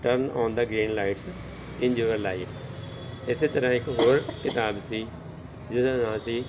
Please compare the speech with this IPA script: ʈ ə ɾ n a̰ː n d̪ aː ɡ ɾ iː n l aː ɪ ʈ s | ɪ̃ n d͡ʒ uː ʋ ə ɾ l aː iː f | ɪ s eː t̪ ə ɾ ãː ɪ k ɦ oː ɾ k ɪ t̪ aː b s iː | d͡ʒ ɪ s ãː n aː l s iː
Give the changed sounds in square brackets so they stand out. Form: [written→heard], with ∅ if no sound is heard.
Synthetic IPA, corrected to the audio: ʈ ə ɾ n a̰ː n d̪ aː ɡ ɾ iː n l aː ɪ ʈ s | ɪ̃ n d͡ʒ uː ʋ ə ɾ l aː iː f | ɪ s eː t̪ ə ɾ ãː ɪ k ɦ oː ɾ k ɪ t̪ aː b s iː | d͡ʒ ɪ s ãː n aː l s iː